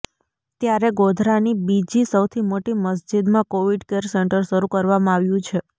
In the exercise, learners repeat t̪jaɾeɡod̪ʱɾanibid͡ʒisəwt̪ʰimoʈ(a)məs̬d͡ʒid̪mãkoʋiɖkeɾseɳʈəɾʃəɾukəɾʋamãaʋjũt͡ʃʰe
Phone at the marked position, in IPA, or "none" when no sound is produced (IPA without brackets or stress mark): i